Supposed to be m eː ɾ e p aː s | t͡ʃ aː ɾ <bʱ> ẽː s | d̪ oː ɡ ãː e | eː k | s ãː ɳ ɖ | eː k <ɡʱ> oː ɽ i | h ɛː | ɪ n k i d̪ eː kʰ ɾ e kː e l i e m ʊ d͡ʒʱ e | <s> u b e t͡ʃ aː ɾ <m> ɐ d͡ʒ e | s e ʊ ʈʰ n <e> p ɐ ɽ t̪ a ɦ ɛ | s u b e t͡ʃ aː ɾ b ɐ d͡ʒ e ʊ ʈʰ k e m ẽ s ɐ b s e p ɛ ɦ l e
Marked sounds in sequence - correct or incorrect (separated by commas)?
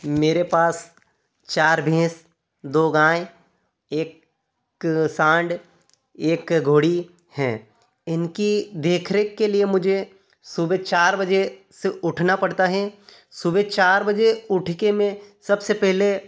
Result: correct, correct, correct, incorrect, incorrect